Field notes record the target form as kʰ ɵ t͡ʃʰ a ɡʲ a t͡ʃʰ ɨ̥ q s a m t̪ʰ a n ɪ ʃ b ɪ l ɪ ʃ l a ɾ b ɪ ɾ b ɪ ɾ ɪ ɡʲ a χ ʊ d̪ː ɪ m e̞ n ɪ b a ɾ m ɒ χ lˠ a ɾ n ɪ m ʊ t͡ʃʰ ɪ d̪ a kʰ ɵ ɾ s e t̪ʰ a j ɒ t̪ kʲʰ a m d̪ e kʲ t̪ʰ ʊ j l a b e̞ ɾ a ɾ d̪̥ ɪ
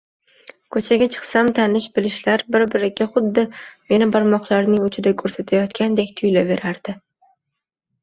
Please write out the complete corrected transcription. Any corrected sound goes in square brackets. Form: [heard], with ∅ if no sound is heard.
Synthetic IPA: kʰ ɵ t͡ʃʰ a ɡʲ a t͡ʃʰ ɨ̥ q s a m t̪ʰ a n ɪ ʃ b ɪ l ɪ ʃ l a ɾ b ɪ ɾ b ɪ ɾ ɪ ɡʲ a χ ʊ d̪ː ɪ m e̞ n ɪ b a ɾ m ɒ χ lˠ a ɾ n ɪ [ŋ] ʊ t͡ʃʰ ɪ d̪ a kʰ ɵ ɾ s [a] t̪ʰ a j ɒ t̪ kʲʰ a [n] d̪ e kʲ t̪ʰ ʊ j l a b e̞ ɾ a ɾ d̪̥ ɪ